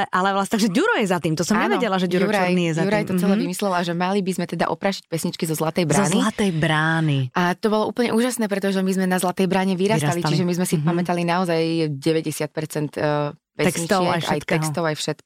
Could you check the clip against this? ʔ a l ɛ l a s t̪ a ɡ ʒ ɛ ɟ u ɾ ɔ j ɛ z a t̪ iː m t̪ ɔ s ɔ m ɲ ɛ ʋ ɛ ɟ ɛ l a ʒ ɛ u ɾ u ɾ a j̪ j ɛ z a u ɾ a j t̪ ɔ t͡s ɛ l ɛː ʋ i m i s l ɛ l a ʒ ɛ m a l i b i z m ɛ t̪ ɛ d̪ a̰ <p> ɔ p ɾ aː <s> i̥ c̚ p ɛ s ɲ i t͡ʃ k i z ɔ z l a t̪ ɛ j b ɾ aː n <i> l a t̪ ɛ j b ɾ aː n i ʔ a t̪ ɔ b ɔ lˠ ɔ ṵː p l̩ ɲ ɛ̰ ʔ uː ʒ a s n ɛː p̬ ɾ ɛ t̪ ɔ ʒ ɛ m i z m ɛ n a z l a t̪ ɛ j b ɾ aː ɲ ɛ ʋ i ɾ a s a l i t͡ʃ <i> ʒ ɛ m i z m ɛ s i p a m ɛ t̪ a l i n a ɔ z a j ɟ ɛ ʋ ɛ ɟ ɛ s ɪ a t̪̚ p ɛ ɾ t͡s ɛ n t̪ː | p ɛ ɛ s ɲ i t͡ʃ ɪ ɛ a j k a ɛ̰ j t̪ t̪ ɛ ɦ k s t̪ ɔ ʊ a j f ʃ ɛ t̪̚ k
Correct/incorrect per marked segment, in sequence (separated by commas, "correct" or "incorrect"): incorrect, incorrect, correct, correct